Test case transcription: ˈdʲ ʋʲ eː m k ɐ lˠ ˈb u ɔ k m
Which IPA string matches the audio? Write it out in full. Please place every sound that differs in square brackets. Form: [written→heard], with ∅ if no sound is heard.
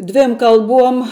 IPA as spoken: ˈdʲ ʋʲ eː m k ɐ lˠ ˈb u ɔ [k→∅] m